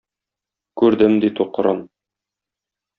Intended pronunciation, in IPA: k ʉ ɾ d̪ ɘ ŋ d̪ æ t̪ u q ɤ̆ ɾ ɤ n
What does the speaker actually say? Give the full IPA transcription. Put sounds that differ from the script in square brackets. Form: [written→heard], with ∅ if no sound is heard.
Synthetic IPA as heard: k ʉ ɾ d̪ ɘ [ŋ→m] d̪ [æ→i] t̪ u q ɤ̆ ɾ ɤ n